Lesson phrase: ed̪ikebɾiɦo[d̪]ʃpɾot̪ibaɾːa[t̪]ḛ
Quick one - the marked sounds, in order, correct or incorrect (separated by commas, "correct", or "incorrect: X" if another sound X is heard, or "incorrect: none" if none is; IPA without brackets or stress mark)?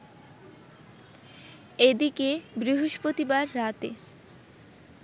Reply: incorrect: none, correct